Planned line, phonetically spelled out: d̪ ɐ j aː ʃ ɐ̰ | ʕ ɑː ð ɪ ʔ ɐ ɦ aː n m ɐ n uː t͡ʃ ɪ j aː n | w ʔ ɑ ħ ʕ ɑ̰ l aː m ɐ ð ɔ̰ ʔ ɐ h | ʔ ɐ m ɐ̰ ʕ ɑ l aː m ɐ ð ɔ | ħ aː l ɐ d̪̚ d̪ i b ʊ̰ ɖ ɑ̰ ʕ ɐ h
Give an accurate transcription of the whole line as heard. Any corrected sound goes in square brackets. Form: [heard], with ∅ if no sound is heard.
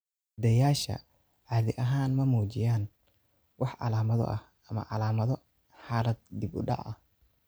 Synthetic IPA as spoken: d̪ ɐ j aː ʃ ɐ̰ | ʕ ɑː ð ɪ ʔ ɐ ɦ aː n m ɐ [m] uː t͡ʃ ɪ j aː n | w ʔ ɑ ħ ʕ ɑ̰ l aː m ɐ ð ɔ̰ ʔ ɐ h | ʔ ɐ m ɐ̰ ʕ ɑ l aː m ɐ ð ɔ | ħ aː l ɐ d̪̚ d̪ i b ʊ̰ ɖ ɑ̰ ʕ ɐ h